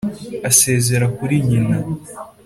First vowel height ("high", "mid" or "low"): low